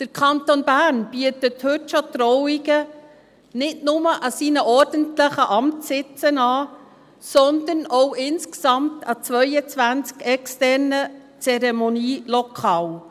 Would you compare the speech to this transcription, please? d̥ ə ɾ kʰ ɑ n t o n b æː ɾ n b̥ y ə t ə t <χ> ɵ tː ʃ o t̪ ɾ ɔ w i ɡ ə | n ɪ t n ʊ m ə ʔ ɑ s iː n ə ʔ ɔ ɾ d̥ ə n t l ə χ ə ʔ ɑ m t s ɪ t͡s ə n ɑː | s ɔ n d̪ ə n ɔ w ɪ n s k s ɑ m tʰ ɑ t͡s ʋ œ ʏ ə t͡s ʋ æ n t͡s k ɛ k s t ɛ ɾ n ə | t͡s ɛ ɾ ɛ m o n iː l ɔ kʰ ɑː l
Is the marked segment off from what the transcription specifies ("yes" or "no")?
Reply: yes